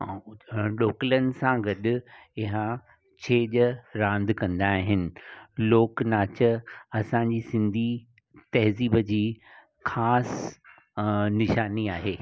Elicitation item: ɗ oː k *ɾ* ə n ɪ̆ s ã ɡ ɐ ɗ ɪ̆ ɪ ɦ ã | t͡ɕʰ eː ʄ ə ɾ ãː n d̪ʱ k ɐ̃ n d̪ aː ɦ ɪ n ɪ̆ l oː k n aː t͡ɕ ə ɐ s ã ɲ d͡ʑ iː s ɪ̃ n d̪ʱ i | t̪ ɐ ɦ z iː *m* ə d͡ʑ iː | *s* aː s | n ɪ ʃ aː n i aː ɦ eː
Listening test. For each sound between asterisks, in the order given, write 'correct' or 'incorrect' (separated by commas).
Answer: incorrect, incorrect, incorrect